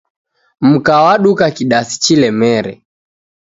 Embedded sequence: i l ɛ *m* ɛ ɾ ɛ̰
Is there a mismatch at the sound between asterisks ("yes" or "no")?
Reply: no